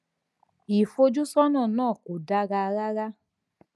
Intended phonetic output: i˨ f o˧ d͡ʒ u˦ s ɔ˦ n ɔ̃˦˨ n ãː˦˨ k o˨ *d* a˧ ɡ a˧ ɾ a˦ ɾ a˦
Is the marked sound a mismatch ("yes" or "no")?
no